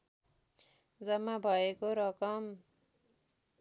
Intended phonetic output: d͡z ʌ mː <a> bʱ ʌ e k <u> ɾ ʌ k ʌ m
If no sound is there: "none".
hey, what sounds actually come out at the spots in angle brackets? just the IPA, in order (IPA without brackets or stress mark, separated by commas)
a, o